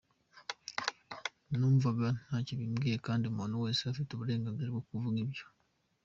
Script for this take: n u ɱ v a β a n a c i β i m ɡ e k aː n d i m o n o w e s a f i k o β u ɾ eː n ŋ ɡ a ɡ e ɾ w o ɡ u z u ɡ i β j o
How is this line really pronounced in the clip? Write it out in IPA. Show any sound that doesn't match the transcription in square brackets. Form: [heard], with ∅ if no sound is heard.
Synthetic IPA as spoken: n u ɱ v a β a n a c i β i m ɡ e k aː n d i m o n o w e s a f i [t] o β u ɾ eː [∅] ŋ ɡ a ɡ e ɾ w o [k] u [v] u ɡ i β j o